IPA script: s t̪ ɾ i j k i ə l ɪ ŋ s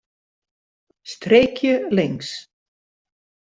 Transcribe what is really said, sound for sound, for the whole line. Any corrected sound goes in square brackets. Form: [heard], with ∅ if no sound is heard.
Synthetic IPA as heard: s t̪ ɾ [e] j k [j] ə l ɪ ŋ s